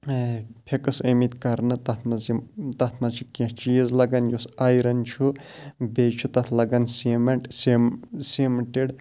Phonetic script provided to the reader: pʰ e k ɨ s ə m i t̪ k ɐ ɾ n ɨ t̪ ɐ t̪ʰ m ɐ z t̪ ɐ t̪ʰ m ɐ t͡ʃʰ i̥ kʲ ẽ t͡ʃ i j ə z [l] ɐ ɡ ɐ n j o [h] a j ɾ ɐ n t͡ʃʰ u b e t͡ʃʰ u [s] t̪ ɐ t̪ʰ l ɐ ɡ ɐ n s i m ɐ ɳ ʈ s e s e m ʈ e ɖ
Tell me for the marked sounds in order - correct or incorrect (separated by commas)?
correct, incorrect, incorrect